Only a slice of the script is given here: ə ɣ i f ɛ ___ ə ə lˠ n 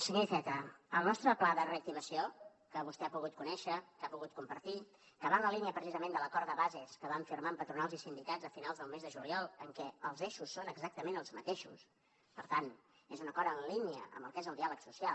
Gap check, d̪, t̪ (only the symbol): t̪